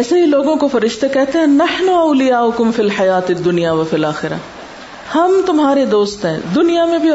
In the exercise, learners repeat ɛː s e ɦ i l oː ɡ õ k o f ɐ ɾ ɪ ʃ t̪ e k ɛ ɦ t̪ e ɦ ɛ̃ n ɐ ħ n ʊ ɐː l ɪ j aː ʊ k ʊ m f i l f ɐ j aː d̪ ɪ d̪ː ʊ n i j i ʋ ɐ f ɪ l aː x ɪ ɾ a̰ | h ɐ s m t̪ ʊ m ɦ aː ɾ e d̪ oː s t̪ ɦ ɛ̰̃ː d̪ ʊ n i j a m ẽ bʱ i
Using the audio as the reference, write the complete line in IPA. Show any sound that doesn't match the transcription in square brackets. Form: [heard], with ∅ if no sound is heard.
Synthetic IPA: ɛː s e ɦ i l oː ɡ õ k o f ɐ ɾ ɪ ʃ t̪ e k ɛ ɦ t̪ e ɦ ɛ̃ n ɐ ħ n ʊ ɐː l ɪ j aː ʊ k ʊ m f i l [ħ] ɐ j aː [t̪] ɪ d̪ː ʊ n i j [a] ʋ ɐ f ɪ l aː x ɪ ɾ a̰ | h ɐ [∅] m t̪ ʊ m ɦ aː ɾ e d̪ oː s t̪ ɦ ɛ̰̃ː d̪ ʊ n i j a m ẽ bʱ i